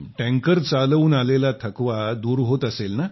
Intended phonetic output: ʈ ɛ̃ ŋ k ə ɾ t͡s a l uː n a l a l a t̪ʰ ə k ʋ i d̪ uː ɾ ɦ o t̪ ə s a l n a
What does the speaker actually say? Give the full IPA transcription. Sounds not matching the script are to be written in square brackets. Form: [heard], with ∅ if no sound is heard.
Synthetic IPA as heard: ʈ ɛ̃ ŋ k ə ɾ t͡s a l uː n a l [e] l a t̪ʰ ə k ʋ [a] d̪ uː ɾ ɦ o t̪ ə s [e] l n a